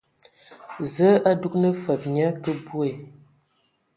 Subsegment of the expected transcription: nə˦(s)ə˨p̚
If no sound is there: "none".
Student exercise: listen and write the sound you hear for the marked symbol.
f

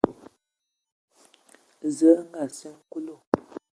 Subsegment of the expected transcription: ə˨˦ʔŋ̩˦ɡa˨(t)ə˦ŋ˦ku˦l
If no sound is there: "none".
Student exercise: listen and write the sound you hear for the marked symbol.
s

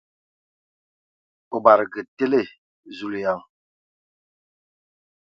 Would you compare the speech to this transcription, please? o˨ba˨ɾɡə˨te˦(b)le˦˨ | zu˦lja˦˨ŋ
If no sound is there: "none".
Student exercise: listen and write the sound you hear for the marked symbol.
none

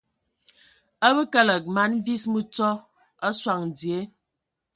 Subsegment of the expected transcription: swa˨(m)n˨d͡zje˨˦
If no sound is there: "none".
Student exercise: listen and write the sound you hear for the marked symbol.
ŋ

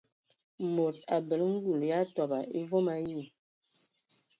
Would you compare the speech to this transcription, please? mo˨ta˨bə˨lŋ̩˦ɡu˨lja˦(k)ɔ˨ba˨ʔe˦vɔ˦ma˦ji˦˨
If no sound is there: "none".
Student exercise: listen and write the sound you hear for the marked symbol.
t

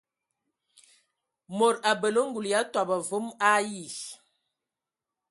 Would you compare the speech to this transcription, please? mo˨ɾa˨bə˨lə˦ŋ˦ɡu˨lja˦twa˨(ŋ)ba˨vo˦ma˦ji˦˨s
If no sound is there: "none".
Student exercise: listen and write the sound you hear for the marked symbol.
none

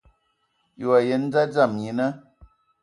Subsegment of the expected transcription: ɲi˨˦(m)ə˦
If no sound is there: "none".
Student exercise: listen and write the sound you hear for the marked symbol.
n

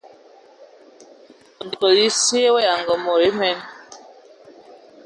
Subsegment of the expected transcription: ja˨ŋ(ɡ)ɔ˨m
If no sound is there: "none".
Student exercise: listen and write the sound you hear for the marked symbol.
ɡ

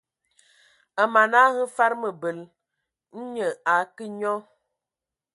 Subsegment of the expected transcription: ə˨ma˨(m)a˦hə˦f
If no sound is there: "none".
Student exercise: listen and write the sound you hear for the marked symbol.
n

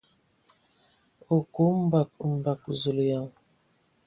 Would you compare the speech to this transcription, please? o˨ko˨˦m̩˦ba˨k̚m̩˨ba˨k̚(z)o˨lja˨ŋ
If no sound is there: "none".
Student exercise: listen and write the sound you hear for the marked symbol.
z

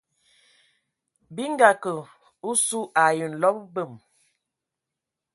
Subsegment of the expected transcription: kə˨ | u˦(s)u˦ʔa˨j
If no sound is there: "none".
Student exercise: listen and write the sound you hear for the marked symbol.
s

